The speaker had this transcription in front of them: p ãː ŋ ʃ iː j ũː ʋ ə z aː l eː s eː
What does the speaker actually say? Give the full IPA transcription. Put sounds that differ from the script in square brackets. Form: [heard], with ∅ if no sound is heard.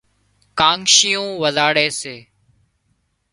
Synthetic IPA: [k] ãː ŋ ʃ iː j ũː ʋ ə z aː [ɽ] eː s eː